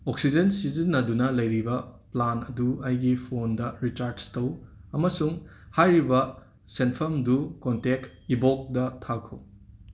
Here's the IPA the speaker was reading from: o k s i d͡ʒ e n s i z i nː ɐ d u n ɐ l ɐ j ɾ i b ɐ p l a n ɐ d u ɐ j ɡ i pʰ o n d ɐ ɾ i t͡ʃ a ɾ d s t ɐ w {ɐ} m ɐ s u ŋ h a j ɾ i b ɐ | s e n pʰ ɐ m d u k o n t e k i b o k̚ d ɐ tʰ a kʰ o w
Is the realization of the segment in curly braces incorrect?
no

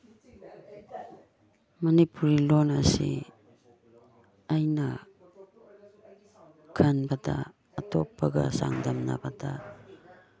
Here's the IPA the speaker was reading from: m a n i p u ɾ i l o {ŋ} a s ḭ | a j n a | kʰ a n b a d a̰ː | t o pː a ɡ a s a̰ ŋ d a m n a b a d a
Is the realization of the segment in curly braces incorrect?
yes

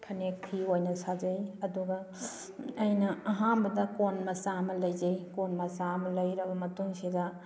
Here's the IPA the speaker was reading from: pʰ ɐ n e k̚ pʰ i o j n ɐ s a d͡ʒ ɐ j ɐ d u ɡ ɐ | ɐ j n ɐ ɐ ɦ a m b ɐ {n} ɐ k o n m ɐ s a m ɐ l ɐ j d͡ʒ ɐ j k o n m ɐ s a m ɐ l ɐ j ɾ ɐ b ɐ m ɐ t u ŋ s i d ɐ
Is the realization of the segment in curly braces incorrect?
yes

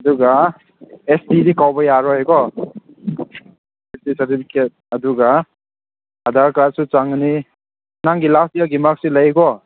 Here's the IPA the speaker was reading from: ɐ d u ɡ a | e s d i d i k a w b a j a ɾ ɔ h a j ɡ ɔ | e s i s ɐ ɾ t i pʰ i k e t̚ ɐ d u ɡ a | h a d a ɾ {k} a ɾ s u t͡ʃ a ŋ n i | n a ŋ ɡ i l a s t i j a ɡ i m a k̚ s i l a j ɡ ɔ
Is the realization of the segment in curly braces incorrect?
no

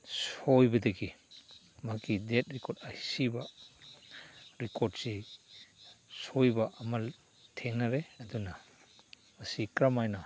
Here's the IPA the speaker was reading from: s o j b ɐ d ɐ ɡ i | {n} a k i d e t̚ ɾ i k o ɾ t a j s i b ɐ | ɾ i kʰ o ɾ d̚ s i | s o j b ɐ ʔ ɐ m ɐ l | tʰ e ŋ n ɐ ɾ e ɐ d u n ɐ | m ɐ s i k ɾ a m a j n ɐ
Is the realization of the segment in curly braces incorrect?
yes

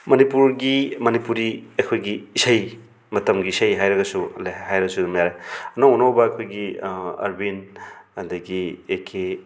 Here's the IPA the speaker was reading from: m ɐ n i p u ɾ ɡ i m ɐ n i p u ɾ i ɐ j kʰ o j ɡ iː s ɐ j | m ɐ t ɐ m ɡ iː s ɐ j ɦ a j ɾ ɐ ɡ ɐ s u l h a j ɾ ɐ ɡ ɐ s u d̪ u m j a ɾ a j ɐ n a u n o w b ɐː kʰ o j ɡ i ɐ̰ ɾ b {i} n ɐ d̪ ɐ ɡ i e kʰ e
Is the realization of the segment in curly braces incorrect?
no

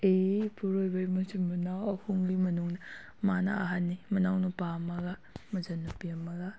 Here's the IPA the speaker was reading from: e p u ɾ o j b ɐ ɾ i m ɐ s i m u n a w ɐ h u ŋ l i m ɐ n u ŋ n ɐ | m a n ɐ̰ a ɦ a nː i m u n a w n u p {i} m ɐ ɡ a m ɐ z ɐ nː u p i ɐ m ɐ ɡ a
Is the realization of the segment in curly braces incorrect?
yes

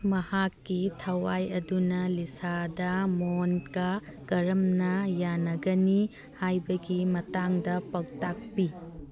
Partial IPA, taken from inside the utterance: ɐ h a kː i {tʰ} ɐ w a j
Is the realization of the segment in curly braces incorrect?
no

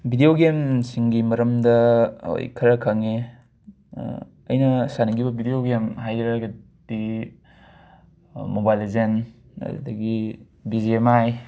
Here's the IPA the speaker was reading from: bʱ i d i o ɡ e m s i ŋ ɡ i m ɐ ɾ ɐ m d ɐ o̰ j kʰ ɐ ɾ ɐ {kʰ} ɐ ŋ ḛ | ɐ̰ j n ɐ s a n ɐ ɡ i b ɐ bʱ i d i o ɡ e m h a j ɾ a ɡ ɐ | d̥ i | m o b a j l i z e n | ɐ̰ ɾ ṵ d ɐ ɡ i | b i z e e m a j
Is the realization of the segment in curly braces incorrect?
no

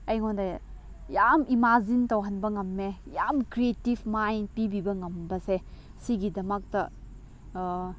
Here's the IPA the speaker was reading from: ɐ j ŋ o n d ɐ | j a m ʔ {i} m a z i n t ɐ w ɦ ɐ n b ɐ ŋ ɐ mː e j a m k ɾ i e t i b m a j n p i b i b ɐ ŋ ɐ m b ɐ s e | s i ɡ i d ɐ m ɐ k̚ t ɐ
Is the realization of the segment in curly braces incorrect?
no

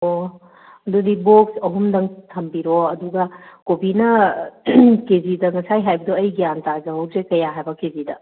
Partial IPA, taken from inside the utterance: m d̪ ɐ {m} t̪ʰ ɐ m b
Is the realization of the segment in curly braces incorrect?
yes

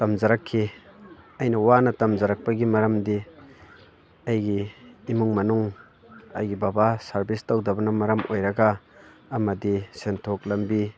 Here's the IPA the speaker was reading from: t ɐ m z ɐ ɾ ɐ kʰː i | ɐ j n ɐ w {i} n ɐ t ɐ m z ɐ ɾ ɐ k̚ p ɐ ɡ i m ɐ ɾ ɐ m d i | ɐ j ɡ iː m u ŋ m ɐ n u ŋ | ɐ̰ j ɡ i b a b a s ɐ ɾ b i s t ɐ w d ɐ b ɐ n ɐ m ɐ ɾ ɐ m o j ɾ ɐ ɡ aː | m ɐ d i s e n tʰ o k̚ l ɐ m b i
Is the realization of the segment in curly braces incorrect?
yes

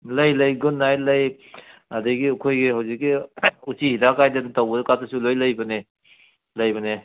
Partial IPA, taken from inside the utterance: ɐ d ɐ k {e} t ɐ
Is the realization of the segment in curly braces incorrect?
yes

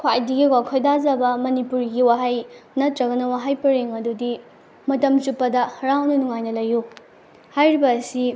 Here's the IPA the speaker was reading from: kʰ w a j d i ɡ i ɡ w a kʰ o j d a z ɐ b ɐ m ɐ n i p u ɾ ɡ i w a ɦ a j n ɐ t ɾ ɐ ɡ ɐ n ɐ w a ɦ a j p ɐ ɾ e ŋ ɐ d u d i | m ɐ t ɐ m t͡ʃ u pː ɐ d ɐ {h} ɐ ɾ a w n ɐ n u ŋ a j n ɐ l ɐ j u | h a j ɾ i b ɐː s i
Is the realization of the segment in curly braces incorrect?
no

